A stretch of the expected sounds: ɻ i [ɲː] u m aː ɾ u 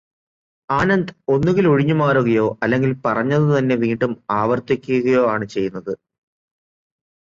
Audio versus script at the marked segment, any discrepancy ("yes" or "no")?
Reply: no